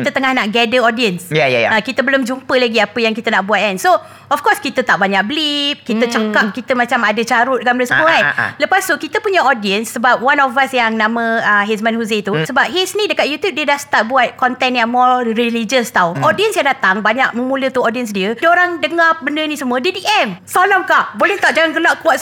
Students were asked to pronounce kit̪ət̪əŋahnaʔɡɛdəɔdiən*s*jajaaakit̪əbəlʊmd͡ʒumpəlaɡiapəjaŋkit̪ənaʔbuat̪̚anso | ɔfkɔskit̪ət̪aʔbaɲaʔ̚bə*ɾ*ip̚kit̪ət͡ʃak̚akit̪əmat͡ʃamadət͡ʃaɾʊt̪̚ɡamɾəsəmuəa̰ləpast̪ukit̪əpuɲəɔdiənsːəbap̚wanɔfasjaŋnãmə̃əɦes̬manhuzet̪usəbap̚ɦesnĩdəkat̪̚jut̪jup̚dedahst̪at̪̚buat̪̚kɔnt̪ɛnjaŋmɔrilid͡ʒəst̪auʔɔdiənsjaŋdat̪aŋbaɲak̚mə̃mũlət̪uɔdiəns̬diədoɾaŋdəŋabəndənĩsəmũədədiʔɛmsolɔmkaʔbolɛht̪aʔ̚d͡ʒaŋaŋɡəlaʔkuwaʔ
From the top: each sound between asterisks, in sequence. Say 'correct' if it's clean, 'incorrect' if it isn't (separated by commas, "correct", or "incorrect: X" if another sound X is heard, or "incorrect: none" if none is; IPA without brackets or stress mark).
correct, incorrect: l